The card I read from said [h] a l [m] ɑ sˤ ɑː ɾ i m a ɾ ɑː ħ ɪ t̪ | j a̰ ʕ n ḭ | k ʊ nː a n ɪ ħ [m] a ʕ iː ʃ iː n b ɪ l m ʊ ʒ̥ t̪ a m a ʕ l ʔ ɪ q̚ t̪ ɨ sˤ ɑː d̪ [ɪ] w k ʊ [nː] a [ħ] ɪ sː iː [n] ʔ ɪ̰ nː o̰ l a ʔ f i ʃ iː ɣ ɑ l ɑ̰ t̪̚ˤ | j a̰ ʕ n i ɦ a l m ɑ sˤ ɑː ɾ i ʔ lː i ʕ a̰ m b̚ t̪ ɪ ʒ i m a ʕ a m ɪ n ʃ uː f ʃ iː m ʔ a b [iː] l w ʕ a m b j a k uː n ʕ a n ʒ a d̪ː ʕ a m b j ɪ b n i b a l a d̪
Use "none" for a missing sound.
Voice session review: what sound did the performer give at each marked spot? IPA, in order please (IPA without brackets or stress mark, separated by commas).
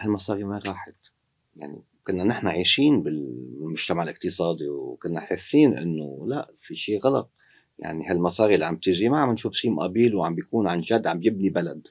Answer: h, m, n, i, nː, ħ, n, iː